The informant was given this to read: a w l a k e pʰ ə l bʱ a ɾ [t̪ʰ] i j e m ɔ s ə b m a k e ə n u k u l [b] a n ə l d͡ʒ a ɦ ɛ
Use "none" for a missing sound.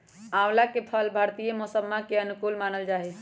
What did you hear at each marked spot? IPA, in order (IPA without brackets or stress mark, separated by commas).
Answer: t̪, m